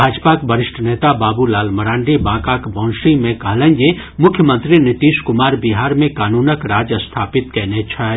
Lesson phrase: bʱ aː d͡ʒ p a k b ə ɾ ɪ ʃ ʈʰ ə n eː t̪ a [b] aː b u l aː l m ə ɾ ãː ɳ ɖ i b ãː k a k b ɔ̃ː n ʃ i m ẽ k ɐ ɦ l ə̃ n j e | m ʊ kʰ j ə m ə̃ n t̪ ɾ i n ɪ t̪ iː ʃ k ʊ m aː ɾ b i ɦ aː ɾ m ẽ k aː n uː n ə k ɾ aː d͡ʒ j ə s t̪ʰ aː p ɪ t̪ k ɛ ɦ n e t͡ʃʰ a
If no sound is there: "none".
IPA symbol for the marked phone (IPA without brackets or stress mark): b